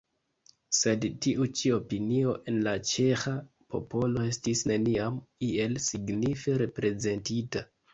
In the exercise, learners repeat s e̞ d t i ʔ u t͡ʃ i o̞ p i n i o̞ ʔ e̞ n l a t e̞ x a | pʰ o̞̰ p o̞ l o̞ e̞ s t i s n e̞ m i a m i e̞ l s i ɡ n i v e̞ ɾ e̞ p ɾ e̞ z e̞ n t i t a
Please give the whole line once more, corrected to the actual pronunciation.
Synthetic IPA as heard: s e̞ d t i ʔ u t͡ʃ i o̞ p i n i o̞ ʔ e̞ n l a t͡ʃ e̞ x a | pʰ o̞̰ p o̞ l o̞ e̞ s t i s n e̞ n i a m i e̞ l s i ɡ n i f e̞ ɾ e̞ p ɾ e̞ z e̞ n t i t a